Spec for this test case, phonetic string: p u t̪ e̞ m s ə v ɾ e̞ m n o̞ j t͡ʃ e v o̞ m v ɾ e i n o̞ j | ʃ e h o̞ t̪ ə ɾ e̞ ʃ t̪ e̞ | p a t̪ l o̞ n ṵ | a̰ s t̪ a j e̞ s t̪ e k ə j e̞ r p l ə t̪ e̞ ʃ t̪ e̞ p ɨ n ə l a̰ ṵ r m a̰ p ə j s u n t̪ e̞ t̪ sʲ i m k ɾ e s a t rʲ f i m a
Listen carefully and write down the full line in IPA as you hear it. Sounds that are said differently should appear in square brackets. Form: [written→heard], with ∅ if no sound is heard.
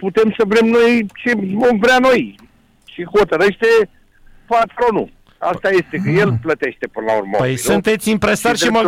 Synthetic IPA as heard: p u t̪ e̞ m s ə v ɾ e̞ m n o̞ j t͡ʃ e v o̞ m v ɾ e [i→a] n o̞ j | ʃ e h o̞ t̪ ə ɾ e̞ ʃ t̪ e̞ | p a t̪ [l→ɾ] o̞ n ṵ | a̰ s t̪ a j e̞ s t̪ e k ə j e̞ [r→l] p l ə t̪ e̞ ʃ t̪ e̞ p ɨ n ə l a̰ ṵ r m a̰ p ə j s u n t̪ e̞ t̪ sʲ i m [k→p] ɾ e s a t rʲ [f→ʃ] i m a